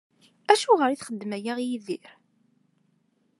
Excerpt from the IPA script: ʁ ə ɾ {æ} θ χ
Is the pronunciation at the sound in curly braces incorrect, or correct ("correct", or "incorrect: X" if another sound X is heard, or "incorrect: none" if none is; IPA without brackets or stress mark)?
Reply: incorrect: i